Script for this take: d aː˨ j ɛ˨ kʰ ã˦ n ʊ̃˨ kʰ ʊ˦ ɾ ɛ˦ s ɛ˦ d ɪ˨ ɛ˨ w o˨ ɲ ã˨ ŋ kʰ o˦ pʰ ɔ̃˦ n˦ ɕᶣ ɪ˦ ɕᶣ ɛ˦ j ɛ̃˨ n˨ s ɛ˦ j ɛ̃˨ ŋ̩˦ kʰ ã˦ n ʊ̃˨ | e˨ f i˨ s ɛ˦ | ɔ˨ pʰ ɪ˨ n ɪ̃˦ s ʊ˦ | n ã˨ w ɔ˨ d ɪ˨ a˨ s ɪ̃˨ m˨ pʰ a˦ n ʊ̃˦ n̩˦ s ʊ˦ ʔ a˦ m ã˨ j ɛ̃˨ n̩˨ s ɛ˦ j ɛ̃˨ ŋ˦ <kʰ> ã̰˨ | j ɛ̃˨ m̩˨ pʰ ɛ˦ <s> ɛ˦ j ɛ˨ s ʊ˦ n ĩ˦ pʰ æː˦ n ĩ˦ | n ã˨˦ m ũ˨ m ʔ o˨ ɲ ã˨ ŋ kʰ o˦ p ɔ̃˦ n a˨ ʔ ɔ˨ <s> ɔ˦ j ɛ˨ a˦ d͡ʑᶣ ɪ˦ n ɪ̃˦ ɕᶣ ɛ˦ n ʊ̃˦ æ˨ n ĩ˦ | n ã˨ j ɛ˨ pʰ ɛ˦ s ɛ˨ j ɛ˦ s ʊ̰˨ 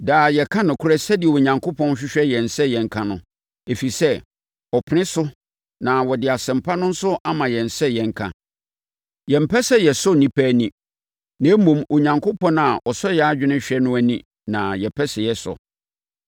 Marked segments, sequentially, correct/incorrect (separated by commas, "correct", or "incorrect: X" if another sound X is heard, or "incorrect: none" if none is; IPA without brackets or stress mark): correct, correct, correct